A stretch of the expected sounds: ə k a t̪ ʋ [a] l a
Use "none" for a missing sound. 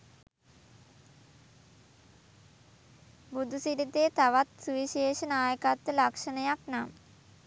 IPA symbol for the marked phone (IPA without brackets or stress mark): ə